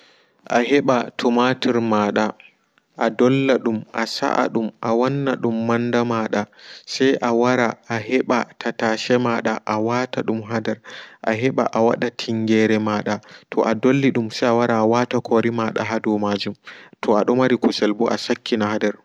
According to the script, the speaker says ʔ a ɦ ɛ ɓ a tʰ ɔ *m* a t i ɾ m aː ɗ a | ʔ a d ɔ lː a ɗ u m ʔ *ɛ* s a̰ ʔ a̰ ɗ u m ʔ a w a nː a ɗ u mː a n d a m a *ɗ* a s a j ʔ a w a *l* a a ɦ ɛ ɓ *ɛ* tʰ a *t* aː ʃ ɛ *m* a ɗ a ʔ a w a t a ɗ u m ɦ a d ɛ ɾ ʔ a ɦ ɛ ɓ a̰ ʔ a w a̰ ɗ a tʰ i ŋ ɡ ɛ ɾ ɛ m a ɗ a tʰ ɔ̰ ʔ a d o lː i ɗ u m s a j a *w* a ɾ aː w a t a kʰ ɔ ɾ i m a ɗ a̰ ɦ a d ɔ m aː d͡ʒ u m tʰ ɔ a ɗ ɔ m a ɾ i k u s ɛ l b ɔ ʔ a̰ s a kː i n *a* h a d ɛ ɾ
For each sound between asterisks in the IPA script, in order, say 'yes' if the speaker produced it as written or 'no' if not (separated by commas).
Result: yes, no, yes, no, no, yes, yes, yes, yes